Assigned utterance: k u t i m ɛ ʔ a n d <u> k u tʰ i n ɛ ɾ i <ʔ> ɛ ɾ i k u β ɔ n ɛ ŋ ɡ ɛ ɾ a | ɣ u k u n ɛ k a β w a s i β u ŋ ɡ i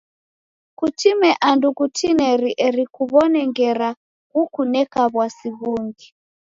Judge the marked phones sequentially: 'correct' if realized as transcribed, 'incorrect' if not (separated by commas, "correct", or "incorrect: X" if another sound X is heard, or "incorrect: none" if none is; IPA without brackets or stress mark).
correct, correct